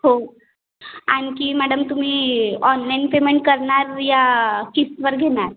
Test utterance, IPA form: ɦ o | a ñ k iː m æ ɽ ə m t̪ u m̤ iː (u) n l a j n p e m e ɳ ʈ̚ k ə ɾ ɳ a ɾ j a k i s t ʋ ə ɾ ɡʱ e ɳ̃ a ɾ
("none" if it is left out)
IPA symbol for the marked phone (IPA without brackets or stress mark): ɔ